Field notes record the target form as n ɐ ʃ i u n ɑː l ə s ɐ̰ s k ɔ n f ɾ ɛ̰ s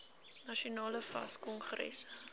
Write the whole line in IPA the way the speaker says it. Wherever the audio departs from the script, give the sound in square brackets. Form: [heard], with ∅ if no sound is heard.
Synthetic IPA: n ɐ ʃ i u n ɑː l ə [f] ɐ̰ s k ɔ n [χ] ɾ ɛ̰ s